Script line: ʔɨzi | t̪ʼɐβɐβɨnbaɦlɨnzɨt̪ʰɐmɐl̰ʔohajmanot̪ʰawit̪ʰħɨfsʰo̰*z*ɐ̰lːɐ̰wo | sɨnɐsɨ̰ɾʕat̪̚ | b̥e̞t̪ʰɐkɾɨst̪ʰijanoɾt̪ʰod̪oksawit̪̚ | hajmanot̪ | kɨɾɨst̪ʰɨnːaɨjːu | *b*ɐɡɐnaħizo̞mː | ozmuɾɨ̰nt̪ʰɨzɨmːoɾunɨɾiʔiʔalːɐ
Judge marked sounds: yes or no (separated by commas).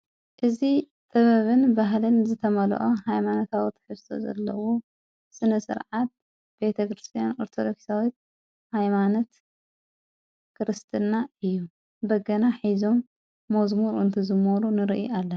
yes, yes